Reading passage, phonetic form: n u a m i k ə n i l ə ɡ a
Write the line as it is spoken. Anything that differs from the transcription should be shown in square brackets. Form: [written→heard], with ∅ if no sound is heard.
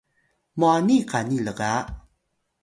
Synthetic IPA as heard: [n→m] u a [m→n] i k [ə→a] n i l ə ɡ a